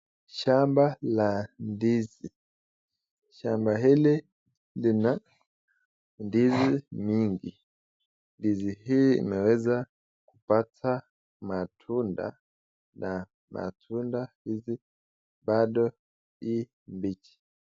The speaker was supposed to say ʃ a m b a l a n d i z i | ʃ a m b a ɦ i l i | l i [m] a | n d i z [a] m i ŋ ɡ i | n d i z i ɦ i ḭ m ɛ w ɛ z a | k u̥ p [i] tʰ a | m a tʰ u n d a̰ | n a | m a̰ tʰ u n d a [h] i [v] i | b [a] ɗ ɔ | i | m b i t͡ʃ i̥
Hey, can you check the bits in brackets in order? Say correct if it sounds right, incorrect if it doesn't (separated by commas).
incorrect, incorrect, incorrect, correct, incorrect, correct